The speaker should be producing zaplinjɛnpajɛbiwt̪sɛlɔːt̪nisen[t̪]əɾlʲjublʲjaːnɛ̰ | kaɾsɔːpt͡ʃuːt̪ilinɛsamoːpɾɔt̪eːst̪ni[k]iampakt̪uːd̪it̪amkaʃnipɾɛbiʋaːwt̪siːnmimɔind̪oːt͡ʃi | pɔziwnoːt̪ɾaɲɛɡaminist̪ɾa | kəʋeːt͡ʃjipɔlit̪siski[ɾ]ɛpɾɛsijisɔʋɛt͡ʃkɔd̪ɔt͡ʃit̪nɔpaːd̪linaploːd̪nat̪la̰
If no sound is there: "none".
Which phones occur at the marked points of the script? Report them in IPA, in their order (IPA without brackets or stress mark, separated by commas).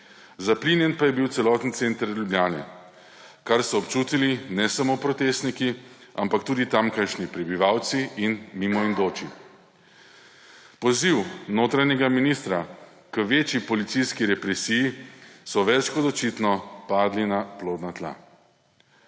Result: t̪, k, ɾ